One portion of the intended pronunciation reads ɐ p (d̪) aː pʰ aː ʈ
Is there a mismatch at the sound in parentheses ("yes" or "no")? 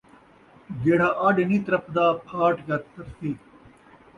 no